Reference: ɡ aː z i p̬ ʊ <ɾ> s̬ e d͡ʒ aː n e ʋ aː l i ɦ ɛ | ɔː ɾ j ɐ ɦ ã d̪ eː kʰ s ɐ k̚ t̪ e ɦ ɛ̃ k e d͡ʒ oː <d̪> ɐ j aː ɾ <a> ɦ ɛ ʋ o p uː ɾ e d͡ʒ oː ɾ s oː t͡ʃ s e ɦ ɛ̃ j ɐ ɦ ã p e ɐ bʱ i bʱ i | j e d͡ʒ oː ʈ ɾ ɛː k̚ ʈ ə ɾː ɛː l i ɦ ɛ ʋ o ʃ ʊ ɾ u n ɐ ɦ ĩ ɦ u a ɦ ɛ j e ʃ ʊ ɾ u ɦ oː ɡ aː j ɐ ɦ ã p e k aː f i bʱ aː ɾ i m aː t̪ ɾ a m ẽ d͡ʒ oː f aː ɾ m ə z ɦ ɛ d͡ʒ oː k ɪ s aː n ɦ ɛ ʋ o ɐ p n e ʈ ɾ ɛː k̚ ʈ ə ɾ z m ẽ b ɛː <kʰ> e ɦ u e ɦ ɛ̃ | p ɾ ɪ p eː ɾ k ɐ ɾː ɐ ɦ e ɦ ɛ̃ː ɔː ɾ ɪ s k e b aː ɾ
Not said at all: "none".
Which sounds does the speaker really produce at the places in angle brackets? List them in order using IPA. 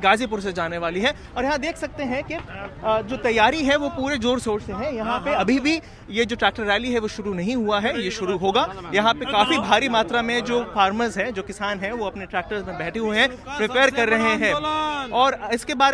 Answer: ɾ, t̪, i, ʈʰ

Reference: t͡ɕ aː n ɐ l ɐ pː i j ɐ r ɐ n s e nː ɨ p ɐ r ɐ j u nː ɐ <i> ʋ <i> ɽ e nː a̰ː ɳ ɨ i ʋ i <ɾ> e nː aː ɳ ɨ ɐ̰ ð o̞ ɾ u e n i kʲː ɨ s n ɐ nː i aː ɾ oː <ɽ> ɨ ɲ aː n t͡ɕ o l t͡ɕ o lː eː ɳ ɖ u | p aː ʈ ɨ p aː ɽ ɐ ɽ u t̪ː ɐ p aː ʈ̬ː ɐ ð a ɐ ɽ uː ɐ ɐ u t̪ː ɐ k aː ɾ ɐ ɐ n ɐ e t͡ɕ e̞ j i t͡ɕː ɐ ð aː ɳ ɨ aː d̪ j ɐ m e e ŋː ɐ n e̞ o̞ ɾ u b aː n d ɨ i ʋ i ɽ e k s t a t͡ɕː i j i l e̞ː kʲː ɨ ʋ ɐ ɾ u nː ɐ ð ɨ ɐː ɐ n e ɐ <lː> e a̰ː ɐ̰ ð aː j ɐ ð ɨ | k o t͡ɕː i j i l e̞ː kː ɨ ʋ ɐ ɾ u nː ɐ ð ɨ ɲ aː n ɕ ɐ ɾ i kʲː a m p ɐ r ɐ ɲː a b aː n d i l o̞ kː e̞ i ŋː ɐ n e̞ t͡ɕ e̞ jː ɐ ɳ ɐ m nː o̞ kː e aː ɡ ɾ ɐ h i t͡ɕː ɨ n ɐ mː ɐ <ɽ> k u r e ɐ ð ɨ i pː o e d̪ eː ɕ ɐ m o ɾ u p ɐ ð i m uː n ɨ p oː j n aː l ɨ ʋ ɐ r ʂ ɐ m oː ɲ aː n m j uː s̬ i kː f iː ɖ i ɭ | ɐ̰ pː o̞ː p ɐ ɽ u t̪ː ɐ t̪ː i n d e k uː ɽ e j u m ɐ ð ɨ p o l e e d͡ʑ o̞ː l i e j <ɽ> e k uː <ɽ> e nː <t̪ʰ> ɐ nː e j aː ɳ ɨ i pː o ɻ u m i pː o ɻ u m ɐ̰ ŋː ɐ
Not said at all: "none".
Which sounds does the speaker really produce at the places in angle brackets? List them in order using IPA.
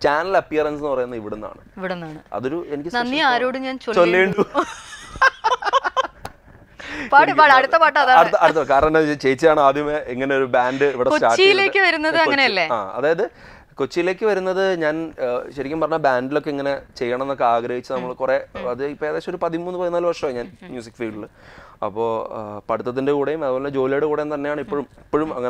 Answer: i, i, ɽ, ɽ, lː, ɭ, ɽ, ɽ, t̪

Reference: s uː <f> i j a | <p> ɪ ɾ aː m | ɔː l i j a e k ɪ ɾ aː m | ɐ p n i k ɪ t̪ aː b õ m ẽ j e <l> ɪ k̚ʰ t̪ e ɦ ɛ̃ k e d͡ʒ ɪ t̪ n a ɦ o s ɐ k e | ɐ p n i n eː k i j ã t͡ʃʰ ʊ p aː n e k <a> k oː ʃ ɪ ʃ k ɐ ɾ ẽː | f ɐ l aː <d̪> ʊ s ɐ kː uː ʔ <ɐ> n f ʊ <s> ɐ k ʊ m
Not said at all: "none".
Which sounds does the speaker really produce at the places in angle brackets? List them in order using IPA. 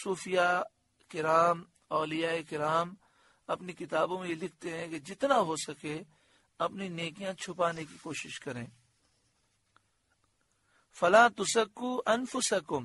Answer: f, k, l, i, t̪, ɐ, s

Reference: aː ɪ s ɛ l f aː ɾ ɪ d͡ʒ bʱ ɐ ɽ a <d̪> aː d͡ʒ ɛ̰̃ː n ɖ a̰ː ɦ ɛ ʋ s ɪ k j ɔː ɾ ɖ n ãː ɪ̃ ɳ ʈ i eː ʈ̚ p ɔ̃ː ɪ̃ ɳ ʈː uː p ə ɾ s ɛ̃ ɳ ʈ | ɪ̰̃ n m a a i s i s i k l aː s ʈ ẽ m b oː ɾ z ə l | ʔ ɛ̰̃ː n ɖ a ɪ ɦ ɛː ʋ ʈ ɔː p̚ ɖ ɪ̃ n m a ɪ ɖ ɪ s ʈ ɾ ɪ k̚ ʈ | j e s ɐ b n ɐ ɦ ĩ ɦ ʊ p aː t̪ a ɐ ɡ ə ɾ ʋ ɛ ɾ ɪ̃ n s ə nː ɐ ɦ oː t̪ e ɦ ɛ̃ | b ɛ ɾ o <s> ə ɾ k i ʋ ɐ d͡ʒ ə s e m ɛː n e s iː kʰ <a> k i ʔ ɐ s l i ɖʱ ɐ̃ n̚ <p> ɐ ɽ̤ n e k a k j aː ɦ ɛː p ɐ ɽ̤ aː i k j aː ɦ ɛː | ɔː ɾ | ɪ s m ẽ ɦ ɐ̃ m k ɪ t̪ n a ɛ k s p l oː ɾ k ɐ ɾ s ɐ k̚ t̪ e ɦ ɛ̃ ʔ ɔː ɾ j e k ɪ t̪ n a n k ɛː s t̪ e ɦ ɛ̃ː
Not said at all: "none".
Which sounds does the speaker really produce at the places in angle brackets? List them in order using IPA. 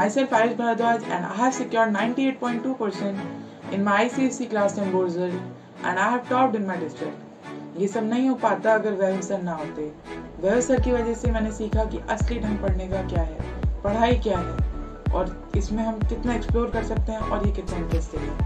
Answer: d̪, s, a, p

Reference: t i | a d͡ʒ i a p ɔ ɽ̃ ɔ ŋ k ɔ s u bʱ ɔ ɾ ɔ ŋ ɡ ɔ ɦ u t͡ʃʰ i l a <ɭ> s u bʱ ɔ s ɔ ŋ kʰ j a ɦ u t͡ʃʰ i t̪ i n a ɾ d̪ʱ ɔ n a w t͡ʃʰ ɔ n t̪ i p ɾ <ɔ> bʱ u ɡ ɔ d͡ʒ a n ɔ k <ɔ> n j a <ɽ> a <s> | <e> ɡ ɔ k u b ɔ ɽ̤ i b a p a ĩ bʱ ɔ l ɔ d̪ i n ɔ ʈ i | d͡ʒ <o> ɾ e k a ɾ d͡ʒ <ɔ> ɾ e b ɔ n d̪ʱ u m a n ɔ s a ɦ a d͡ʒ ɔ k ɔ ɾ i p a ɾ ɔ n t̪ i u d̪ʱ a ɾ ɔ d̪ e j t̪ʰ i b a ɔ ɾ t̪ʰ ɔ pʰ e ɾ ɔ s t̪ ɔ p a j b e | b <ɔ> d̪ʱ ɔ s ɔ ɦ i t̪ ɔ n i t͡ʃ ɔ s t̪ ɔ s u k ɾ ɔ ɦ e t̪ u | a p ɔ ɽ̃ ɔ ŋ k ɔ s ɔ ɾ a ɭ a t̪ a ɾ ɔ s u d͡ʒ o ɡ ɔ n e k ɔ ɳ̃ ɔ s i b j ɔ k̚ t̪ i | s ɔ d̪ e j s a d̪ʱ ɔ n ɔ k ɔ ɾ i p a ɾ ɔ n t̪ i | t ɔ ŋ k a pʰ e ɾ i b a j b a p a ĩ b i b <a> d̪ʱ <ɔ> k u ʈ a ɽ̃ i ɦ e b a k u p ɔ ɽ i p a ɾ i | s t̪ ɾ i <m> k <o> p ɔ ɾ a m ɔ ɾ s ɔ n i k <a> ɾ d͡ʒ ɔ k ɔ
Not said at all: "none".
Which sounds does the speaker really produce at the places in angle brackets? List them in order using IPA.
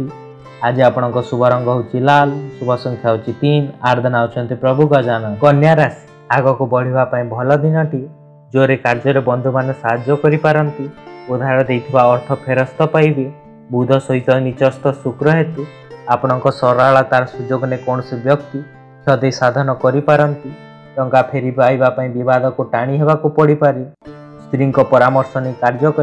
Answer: l, ɔ, ɔ, ɾ, s, a, o, ɔ, u, a, ɔ, ŋ, ɔ, a

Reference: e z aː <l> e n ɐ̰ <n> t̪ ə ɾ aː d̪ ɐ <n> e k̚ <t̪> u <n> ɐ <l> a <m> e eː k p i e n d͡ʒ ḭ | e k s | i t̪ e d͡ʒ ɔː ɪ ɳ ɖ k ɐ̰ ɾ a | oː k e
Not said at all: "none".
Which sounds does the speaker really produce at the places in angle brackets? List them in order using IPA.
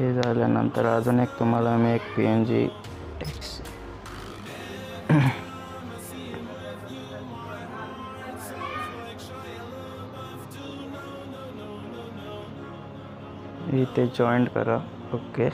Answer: l, n, n, t̪, m, l, m

